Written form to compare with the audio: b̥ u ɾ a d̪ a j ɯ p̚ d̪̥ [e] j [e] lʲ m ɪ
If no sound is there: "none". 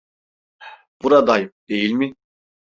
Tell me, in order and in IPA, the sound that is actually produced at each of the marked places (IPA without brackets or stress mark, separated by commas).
e, i